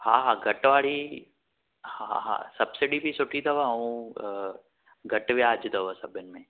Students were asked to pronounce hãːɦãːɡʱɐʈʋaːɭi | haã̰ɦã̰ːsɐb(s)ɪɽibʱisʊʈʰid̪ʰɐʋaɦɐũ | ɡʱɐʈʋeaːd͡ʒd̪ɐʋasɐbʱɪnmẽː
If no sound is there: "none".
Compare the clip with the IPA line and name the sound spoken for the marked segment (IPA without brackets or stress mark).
s